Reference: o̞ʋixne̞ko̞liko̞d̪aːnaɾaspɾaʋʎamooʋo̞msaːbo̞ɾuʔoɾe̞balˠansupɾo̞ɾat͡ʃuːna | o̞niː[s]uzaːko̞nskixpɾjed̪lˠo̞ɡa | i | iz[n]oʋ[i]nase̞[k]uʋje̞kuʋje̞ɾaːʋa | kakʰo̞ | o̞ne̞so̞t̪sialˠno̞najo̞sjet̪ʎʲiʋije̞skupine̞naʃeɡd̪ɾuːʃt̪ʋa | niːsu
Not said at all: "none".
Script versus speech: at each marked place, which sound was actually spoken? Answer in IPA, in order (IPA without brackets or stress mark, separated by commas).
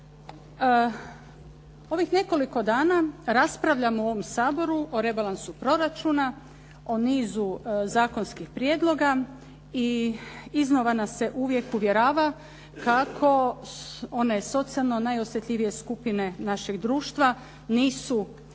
z, n, a, ʔ